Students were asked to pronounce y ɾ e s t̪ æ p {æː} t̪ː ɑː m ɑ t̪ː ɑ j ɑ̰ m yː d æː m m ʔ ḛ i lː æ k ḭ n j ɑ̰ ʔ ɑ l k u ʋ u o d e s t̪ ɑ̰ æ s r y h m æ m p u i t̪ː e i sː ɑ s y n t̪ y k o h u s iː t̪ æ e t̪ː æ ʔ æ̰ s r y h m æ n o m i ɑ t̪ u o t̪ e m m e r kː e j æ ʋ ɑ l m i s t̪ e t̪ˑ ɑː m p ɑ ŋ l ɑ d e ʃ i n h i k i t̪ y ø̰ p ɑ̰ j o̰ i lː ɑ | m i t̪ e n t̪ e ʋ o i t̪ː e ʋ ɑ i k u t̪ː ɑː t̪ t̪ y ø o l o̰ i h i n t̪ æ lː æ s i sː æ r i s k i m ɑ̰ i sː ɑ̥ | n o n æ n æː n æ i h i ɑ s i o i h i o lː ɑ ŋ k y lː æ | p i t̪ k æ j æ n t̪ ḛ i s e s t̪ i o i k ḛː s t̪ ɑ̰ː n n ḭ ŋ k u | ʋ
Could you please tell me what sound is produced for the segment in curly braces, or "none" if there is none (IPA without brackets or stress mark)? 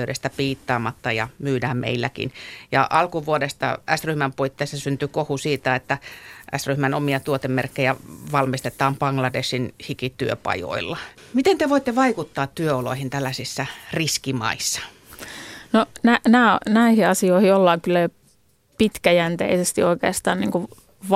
iː